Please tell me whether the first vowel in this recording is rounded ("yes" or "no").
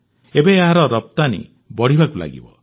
no